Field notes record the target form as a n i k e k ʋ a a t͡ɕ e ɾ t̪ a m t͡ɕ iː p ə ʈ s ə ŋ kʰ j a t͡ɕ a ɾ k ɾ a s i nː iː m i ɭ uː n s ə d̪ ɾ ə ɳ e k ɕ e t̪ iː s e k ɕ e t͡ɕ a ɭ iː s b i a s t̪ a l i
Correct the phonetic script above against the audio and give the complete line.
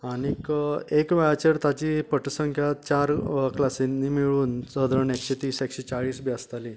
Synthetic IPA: a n i k e k ʋ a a t͡ɕ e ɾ t̪ a t͡ɕ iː p ə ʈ s ə ŋ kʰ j a t͡ɕ a ɾ k l a s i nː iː m i ɭ uː n s ə d̪ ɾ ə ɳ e k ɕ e t̪ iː s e k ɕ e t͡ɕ a ɭ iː s b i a s t̪ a l i

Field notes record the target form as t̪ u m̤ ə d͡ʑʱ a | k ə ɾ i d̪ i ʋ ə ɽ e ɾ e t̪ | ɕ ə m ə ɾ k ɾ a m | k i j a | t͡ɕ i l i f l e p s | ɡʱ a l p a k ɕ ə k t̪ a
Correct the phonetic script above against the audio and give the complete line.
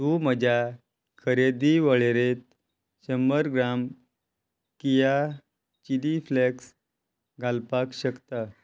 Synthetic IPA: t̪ u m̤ ə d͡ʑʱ a | kʰ ə ɾ e d̪ i ʋ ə ɭ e ɾ e t̪ | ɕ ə m ə ɾ ɡ ɾ a m | k i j a | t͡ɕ i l i f l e k s | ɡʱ a l p a k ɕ ə k t̪ a

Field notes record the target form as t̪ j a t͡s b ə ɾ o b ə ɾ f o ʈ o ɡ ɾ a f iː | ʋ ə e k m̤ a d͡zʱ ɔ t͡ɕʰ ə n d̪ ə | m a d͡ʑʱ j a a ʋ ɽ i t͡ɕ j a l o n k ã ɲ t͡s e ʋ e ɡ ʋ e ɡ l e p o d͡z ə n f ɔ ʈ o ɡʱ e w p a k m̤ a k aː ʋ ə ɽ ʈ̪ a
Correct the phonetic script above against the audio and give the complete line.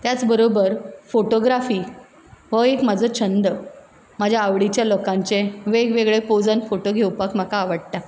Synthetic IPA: t̪ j a t͡s b ə ɾ o b ə ɾ f o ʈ o ɡ ɾ a f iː | ʋ ə e k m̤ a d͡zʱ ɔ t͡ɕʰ ə n d̪ ə | m a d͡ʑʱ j a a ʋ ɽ i t͡ɕ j a l o k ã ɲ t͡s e ʋ e ɡ ʋ e ɡ ɭ e p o d͡z ə n f o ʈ o ɡʱ e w p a k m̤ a k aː ʋ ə ɽ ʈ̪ a

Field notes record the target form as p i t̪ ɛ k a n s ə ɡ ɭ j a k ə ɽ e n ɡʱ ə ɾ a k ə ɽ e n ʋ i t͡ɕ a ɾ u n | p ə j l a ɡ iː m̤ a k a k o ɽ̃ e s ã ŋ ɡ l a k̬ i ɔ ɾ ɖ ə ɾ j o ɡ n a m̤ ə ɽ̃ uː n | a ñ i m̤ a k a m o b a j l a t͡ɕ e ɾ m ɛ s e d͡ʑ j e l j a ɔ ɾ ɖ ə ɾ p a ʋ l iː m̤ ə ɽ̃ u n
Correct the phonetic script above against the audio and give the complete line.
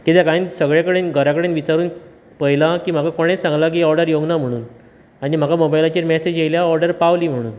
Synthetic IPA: k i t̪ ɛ k a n s ə ɡ ɭ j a k ə ɽ e n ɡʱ ə ɾ a k ə ɽ e n ʋ i t͡ɕ a ɾ uː n | p ə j l a k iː m̤ a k a k o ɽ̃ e s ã ŋ ɡ l a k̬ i ɔ ɾ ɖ ə ɾ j o ɡ n a m̤ ə ɽ̃ uː n | a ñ i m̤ a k a m o b a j l a t͡ɕ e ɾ m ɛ s e d͡ʑ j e l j a ɔ ɾ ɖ ə ɾ p a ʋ l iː m̤ ə ɽ̃ uː n

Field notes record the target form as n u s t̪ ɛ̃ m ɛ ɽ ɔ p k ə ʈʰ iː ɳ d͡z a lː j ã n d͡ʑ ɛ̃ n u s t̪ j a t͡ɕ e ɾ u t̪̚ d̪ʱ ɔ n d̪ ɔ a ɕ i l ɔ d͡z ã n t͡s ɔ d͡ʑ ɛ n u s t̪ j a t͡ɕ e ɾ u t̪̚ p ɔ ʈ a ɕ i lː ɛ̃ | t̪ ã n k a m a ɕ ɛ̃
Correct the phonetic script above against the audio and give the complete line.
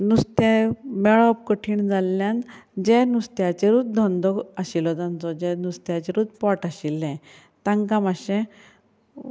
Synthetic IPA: n u s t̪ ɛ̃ m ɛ ɭ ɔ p k ə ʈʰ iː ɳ d͡z a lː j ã n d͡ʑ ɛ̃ n u s t̪ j a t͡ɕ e ɾ u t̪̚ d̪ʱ ɔ n d̪ ɔ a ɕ i l ɔ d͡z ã n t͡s ɔ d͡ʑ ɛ n u s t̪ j a t͡ɕ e ɾ u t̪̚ p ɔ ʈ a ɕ i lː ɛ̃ | t̪ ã ŋ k a m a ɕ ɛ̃

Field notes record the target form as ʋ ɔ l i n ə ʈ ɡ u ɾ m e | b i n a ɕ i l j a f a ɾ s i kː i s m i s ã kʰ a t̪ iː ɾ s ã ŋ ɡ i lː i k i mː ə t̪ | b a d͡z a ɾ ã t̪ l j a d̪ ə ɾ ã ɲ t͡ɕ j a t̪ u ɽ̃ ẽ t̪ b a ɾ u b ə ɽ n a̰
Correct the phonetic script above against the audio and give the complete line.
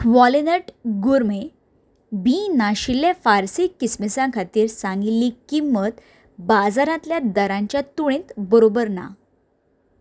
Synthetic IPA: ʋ ɔ l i n ə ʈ ɡ u ɾ m e | b i n a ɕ i l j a f a ɾ s i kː i s m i s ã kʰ a t̪ iː ɾ s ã ŋ ɡ i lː i k i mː ə t̪ | b a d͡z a ɾ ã t̪ l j a d̪ ə ɾ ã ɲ t͡ɕ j a t̪ u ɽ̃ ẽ t̪ b ə ɾ o b ə ɾ n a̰

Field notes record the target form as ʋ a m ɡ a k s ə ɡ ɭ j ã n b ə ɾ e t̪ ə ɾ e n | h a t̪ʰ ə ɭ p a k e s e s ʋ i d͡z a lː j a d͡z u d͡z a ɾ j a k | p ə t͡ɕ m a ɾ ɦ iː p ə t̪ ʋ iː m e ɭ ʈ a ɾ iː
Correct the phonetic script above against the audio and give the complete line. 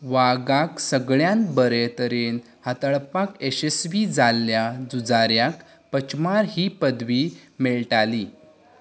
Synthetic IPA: ʋ a ɡ a k s ə ɡ ɭ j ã n b ə ɾ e t̪ ə ɾ e n | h a t̪ ə ɭ p a k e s e s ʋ i d͡z a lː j a d͡z u d͡z a ɾ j a k | p ə t͡ɕ m a ɾ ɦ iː p ə d̪ ʋ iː m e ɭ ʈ a l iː

